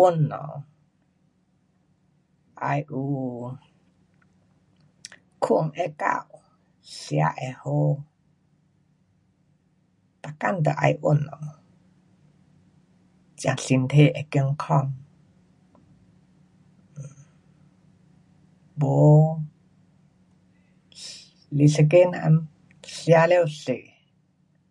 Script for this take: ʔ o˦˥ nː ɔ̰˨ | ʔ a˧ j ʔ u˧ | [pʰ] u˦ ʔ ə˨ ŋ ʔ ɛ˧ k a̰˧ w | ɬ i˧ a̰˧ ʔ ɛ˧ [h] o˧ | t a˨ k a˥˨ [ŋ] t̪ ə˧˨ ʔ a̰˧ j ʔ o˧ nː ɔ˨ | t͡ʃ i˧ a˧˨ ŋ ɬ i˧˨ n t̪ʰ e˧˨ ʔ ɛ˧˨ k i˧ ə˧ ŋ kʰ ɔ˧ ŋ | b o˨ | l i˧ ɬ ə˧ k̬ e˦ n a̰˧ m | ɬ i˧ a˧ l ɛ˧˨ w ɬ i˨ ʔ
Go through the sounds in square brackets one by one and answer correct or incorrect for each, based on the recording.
incorrect, correct, incorrect

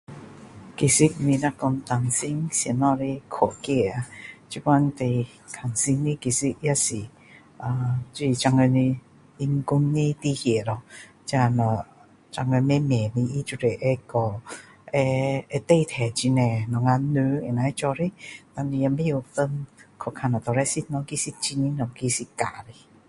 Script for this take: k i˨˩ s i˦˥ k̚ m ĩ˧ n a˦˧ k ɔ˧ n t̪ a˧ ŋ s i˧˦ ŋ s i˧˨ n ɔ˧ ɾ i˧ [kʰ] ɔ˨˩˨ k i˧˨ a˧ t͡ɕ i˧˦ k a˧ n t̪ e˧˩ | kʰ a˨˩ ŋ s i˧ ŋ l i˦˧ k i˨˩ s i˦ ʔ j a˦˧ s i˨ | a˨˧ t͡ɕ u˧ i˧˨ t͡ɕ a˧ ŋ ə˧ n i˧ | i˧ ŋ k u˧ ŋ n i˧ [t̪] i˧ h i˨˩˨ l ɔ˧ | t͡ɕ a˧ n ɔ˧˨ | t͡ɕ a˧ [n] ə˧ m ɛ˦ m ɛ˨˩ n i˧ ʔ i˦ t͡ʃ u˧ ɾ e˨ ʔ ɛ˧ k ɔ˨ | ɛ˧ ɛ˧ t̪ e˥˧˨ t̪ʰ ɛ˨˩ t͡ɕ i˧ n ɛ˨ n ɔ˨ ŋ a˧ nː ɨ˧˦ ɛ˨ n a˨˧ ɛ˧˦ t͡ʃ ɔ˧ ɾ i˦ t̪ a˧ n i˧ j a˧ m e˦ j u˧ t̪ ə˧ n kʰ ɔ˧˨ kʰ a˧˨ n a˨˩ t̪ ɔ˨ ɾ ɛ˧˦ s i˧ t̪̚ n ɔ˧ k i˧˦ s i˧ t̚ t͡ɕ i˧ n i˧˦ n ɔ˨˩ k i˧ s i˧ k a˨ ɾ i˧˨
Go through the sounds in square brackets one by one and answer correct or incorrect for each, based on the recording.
correct, correct, incorrect

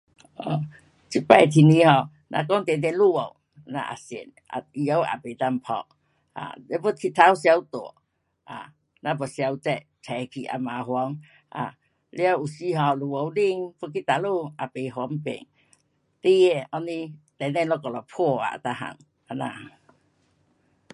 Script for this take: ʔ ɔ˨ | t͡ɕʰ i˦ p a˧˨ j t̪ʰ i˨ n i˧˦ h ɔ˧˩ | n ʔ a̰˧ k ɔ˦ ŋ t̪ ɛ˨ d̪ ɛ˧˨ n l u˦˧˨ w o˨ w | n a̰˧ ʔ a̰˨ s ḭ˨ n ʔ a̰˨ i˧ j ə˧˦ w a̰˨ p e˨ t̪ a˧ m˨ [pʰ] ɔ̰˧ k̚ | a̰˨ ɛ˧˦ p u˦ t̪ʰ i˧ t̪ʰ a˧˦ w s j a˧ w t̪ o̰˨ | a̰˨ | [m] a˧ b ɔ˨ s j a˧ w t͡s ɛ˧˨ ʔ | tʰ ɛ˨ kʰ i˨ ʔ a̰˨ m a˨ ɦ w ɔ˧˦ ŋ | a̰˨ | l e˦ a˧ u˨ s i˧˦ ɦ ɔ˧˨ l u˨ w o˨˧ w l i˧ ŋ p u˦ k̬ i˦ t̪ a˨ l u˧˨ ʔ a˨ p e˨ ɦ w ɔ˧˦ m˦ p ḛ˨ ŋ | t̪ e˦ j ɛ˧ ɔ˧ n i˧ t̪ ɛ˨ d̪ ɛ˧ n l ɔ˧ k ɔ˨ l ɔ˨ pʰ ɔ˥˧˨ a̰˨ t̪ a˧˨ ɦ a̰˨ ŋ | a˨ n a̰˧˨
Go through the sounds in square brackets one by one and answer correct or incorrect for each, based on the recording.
correct, incorrect

